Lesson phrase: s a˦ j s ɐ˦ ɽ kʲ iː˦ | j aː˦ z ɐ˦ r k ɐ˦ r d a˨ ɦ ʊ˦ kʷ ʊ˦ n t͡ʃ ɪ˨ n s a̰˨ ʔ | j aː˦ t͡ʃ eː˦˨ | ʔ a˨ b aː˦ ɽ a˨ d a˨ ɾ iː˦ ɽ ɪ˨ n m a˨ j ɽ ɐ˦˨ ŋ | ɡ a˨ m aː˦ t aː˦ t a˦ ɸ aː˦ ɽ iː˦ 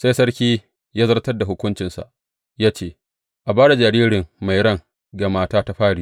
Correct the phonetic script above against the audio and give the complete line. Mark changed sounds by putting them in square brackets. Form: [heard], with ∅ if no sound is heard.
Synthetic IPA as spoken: s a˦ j s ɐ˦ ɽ kʲ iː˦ | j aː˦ z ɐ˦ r [t] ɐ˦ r d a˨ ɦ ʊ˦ kʷ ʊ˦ n t͡ʃ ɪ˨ n s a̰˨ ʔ | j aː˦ t͡ʃ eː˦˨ | ʔ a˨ b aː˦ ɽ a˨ [d͡ʒ] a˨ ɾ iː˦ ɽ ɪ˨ [ŋ] m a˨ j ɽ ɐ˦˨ ŋ | ɡ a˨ m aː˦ t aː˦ t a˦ ɸ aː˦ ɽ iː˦